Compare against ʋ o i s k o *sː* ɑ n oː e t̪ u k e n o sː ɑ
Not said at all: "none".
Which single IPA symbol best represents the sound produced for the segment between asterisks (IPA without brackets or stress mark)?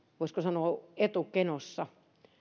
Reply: s